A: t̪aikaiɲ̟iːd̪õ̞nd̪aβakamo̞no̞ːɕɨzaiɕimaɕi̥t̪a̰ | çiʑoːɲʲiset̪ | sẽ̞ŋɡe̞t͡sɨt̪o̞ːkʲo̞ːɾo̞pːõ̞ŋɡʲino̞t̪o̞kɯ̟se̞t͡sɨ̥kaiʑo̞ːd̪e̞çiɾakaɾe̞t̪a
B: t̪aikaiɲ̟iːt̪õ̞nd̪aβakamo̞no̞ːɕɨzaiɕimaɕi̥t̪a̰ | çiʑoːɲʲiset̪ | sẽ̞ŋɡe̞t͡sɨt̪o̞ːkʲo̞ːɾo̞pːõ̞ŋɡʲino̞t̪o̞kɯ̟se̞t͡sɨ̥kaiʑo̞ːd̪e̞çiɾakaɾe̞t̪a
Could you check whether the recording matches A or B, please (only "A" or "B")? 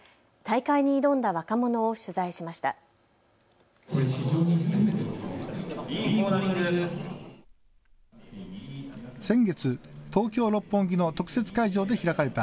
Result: A